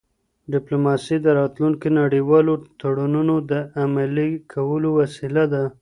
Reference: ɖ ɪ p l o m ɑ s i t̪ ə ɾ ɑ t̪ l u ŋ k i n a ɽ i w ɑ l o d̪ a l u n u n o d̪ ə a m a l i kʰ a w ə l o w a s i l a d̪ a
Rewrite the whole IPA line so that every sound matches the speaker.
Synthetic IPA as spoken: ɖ ɪ p l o m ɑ s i d̪ ə ɾ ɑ t̪ l u ŋ k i n a ɽ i w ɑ l o t̪ a ɽ u n u n o d̪ ə a m a l i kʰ a w ə l o w a s i l a d̪ a